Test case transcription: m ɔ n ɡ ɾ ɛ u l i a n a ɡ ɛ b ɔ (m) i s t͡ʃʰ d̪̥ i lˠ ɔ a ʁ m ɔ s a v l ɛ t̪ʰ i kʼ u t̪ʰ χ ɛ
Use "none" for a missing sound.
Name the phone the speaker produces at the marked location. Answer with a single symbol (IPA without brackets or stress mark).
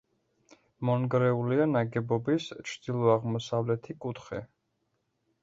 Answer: b